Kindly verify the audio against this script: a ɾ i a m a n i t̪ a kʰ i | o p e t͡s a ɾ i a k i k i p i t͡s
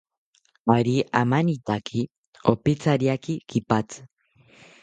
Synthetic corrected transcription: a ɾ i a m a n i t̪ a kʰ i | o p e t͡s a ɾ i a k i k i p a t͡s